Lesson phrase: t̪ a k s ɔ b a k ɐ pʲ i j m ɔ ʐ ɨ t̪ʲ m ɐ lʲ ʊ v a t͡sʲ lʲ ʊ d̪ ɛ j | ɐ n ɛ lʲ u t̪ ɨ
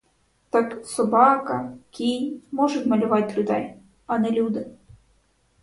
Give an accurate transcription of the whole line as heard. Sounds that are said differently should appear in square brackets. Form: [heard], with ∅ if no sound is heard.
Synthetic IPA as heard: t̪ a k s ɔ b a k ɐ [kʲ] i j m ɔ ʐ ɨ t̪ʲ m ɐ lʲ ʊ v a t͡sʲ lʲ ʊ d̪ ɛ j | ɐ n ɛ lʲ u [d̪] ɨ